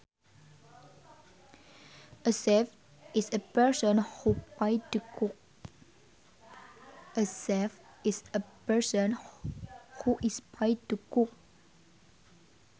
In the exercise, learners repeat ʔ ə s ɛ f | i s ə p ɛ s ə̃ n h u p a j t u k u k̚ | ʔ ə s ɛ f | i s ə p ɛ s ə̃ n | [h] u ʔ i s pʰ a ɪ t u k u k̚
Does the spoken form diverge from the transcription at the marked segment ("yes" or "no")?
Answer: no